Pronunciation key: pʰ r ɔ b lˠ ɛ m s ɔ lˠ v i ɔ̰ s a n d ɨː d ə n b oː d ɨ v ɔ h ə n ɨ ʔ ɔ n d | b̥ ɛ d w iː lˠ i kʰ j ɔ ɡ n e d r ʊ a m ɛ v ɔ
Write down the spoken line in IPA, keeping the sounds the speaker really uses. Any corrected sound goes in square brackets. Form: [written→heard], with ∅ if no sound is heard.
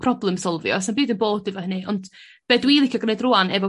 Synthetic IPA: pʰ r ɔ b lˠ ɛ m s ɔ lˠ v [i→j] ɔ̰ s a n [d→b] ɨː d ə n b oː d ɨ v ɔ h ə n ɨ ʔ ɔ n d | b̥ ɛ d w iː lˠ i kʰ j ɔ ɡ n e d r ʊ a [m→n] ɛ v ɔ